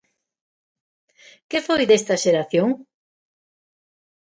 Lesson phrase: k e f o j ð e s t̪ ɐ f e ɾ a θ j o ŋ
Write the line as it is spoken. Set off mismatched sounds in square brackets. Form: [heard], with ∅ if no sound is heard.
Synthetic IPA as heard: k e f o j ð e s t̪ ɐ [ʃ] e ɾ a θ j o ŋ